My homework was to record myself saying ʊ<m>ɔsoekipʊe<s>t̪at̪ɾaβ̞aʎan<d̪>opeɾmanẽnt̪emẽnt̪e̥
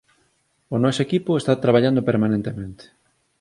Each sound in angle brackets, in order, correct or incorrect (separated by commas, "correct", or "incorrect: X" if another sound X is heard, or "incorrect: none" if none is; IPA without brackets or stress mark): incorrect: n, correct, correct